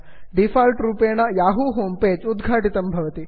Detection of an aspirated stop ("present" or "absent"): absent